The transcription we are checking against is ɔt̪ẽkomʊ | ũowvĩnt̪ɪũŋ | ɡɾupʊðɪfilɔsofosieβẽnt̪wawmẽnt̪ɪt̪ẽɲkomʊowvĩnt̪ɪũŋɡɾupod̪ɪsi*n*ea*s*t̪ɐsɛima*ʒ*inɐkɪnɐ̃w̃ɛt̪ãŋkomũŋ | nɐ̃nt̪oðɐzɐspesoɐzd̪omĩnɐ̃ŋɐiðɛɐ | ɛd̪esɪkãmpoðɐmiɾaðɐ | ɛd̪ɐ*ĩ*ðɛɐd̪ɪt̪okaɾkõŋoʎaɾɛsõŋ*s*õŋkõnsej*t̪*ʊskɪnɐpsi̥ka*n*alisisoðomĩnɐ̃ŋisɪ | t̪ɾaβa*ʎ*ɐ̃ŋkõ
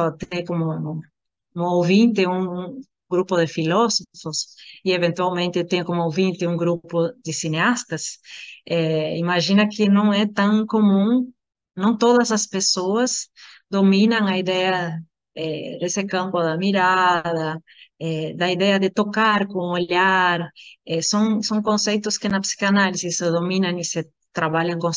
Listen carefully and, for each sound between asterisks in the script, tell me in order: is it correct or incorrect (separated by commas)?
correct, correct, correct, incorrect, correct, correct, correct, correct